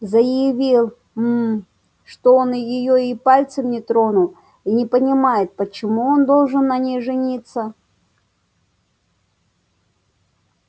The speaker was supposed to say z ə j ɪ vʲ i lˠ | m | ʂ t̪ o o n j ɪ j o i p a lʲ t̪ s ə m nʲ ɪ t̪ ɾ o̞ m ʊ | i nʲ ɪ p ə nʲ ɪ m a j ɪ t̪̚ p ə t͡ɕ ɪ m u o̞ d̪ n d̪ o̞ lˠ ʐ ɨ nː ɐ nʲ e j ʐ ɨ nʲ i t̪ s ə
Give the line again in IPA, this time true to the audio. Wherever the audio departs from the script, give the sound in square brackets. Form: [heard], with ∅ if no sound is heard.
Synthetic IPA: z ə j ɪ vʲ i lˠ | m | ʂ t̪ o o n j ɪ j o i p a lʲ t̪ s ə m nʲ ɪ t̪ ɾ o̞ [n] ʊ | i nʲ ɪ p ə nʲ ɪ m a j ɪ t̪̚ p ə t͡ɕ ɪ m u o̞ [∅] n d̪ o̞ lˠ ʐ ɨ nː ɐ nʲ e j ʐ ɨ nʲ i t̪ s ə

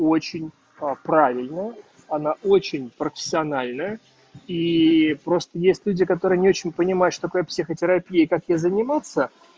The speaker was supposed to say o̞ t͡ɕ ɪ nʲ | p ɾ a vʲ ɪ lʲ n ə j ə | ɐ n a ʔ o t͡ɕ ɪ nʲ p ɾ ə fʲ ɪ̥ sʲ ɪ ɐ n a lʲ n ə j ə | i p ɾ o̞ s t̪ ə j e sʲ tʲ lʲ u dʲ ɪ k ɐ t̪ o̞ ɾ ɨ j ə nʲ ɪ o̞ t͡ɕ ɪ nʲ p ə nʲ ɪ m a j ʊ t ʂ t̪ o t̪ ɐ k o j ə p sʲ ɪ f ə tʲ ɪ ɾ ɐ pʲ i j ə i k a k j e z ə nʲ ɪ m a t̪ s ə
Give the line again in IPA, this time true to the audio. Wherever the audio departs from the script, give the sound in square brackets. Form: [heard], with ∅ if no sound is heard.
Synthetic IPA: o̞ t͡ɕ ɪ nʲ | p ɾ a vʲ ɪ lʲ n ə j ə | ɐ n a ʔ o t͡ɕ ɪ nʲ p ɾ ə fʲ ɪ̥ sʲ ɪ ɐ n a lʲ n ə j ə | i p ɾ o̞ s t̪ ə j e sʲ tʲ lʲ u dʲ ɪ k ɐ t̪ o̞ ɾ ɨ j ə nʲ ɪ o̞ t͡ɕ ɪ nʲ p ə nʲ ɪ m a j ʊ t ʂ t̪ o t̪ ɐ k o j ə p sʲ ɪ [x] ə tʲ ɪ ɾ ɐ pʲ i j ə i k a k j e z ə nʲ ɪ m a t̪ s ə

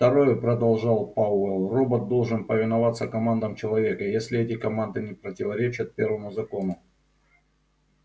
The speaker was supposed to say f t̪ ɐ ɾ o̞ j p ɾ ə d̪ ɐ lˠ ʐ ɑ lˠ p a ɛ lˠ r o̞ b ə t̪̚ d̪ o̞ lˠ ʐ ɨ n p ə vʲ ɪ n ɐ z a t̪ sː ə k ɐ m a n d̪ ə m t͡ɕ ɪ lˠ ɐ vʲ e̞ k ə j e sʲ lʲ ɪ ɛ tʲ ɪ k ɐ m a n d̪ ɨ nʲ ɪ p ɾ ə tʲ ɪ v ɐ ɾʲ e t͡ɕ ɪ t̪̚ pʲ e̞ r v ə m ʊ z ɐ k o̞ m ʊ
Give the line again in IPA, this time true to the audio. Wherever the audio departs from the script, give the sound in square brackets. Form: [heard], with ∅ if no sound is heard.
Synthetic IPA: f t̪ ɐ ɾ o̞ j p ɾ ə d̪ ɐ lˠ ʐ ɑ lˠ p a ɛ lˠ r o̞ b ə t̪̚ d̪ o̞ lˠ ʐ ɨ n p ə vʲ ɪ n ɐ [v] a t̪ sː ə k ɐ m a n d̪ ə m t͡ɕ ɪ lˠ ɐ vʲ e̞ k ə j e sʲ lʲ ɪ ɛ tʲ ɪ k ɐ m a n d̪ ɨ nʲ ɪ p ɾ ə tʲ ɪ v ɐ ɾʲ e t͡ɕ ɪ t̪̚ pʲ e̞ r v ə m ʊ z ɐ k o̞ [n] ʊ

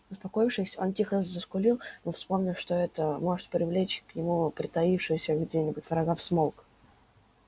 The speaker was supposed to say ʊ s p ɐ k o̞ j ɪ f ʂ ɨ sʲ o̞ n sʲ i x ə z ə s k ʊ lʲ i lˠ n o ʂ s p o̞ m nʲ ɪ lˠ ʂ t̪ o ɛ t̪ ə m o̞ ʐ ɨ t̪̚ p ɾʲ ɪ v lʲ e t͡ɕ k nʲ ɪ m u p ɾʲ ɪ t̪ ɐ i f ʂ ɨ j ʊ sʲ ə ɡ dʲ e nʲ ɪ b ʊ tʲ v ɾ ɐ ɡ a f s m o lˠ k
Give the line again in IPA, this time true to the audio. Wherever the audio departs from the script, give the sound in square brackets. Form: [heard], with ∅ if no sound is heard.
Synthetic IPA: ʊ s p ɐ k o̞ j ɪ f ʂ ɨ sʲ o̞ n [tʲ] i x ə z ə s k ʊ lʲ i lˠ n o [f] s p o̞ m nʲ ɪ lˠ ʂ t̪ o ɛ t̪ ə m o̞ ʐ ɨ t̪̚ p ɾʲ ɪ v lʲ e t͡ɕ k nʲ ɪ m u p ɾʲ ɪ t̪ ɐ i f ʂ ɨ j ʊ sʲ ə ɡ dʲ e nʲ ɪ b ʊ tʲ v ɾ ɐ ɡ a f s m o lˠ k

